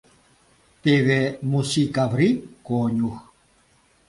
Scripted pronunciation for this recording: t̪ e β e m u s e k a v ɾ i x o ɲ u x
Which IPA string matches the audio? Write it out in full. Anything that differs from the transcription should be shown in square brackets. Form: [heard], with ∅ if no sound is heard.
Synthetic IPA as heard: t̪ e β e m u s [i] k a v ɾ i [k] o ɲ u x